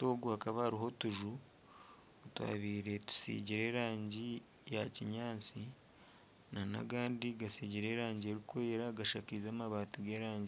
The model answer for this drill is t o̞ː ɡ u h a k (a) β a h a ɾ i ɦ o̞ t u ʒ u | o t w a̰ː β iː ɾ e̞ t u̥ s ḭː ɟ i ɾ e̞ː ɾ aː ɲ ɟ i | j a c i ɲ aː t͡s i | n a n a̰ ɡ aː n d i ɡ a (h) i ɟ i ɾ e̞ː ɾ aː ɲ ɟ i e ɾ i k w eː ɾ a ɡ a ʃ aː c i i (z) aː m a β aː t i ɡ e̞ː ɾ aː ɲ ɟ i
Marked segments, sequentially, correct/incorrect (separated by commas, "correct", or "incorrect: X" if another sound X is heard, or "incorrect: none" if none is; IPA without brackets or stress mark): correct, incorrect: s, correct